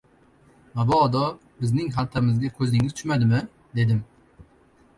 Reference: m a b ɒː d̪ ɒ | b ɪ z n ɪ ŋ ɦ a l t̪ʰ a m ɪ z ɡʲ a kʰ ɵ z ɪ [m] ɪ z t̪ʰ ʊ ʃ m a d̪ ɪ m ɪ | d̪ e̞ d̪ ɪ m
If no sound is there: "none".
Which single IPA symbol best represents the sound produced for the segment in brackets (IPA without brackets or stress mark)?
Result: ŋ